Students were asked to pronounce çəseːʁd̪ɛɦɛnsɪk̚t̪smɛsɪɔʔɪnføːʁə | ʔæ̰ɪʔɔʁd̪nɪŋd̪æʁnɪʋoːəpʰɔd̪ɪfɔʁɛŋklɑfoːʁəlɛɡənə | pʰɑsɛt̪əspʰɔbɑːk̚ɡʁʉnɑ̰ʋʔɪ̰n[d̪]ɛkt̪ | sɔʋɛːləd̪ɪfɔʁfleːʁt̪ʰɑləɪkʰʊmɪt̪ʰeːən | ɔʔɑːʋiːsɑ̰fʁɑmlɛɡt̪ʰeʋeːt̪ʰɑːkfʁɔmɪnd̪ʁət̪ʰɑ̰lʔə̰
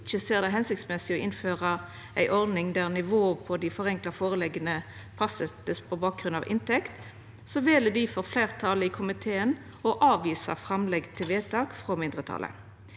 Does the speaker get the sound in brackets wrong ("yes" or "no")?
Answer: yes